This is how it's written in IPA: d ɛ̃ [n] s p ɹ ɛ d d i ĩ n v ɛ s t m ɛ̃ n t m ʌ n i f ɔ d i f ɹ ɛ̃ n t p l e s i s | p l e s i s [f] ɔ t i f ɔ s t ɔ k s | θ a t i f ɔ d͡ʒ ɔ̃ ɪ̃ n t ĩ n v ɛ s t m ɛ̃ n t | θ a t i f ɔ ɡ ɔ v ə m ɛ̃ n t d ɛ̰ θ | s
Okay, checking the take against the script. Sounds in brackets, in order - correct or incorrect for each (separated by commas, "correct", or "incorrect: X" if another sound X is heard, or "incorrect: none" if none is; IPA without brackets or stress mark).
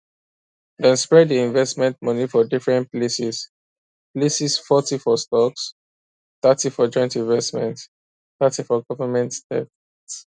correct, correct